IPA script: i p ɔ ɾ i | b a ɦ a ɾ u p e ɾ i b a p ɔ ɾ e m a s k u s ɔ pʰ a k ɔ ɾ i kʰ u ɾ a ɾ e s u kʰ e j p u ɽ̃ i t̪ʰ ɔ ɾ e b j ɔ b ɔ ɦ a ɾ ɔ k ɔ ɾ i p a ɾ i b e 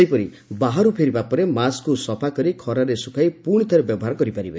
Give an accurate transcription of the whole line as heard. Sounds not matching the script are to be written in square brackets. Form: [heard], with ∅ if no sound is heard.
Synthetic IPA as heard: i p ɔ ɾ i | b a ɦ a ɾ u [pʰ] e ɾ i b a p ɔ ɾ e m a s k u s ɔ pʰ a k ɔ ɾ i kʰ [ɔ] ɾ a ɾ e s u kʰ [a] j p u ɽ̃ i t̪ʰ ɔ ɾ e b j ɔ b ɔ ɦ a ɾ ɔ k ɔ ɾ i p a ɾ i b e

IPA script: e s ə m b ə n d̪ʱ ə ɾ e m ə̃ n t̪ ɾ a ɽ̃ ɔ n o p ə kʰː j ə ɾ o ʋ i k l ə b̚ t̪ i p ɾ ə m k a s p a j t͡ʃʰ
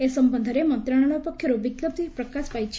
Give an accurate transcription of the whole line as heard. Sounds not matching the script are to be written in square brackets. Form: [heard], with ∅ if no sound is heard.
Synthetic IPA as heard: e s ə m b ə n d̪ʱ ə ɾ e m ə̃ n t̪ ɾ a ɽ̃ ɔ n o p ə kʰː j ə ɾ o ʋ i k l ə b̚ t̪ i p ɾ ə [∅] k a s p a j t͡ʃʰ

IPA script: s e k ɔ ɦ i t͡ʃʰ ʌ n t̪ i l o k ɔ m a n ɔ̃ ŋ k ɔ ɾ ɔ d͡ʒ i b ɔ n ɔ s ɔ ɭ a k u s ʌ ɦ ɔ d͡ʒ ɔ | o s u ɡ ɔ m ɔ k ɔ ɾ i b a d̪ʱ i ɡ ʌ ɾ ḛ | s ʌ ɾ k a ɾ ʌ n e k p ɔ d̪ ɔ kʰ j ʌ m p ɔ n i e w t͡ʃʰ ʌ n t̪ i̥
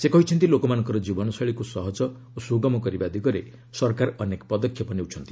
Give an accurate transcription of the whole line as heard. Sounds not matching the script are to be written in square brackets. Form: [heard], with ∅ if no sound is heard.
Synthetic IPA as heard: s e k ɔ ɦ i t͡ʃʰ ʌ n t̪ i l o k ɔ m a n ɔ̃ ŋ k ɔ ɾ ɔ d͡ʒ i b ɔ n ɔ s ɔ ɭ [i] k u s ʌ ɦ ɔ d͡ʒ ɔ | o s u ɡ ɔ m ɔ k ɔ ɾ i b a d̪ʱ i ɡ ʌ ɾ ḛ | s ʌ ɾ k a ɾ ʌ n e k p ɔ d̪ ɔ kʰ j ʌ [∅] p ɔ n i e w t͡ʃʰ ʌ n t̪ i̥

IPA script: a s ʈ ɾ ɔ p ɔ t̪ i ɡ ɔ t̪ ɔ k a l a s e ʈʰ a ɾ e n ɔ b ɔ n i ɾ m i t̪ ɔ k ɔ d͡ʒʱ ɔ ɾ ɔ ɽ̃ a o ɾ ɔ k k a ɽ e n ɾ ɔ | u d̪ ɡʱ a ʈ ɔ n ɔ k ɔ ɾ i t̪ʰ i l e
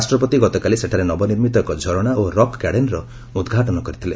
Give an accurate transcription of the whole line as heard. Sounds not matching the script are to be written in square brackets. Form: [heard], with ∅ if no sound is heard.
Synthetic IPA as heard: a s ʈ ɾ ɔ p ɔ t̪ i ɡ ɔ t̪ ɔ k a l [i] s e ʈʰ a ɾ e n ɔ b ɔ n i ɾ m i t̪ ɔ k ɔ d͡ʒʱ ɔ ɾ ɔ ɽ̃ a o ɾ ɔ k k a ɽ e n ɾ ɔ | u d̪ ɡʱ a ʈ ɔ n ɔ k ɔ ɾ i t̪ʰ i l e

